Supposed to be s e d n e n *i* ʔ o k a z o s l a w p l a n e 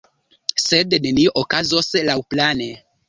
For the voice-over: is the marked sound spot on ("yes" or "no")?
yes